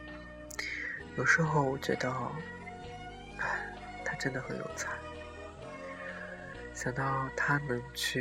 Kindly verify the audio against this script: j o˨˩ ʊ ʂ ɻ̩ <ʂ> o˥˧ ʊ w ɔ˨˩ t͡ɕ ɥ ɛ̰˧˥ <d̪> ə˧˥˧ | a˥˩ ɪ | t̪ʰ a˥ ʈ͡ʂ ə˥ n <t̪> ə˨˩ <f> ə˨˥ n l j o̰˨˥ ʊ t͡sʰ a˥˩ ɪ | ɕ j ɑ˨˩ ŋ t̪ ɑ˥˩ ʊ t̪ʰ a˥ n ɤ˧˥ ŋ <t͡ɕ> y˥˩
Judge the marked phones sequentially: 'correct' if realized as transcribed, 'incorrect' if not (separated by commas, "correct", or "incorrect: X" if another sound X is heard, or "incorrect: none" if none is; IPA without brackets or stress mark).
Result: incorrect: x, correct, incorrect: d̪, incorrect: x, incorrect: t͡ɕʰ